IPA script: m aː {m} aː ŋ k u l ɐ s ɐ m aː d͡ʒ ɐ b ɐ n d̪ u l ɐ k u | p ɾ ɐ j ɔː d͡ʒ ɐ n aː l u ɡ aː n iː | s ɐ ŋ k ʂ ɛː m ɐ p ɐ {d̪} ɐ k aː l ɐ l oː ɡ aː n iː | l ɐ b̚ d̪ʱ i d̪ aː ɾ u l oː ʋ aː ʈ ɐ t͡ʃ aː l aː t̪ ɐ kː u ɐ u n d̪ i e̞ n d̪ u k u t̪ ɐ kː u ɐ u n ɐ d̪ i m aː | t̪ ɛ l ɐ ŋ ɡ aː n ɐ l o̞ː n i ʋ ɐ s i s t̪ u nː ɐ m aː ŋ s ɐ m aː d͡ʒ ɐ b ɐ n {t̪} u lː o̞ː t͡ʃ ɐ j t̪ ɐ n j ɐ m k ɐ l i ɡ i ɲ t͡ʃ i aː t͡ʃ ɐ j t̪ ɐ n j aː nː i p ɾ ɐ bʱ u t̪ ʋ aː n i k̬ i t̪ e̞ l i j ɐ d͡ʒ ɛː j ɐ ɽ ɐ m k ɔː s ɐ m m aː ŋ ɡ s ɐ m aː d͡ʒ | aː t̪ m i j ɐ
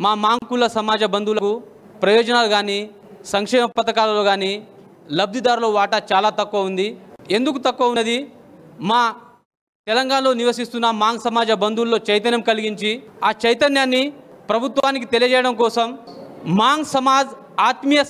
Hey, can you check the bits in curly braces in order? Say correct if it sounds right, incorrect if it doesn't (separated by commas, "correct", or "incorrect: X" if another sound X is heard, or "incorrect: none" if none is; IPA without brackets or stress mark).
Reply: correct, incorrect: t̪, incorrect: d̪